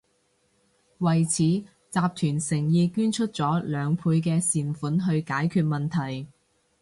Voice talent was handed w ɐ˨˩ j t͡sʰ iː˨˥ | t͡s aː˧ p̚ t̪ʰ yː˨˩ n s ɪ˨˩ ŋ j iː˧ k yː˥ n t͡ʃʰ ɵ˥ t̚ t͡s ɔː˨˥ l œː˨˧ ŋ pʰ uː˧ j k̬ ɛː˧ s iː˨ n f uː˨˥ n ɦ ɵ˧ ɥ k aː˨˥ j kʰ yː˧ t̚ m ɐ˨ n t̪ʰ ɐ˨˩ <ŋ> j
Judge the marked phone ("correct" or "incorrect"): incorrect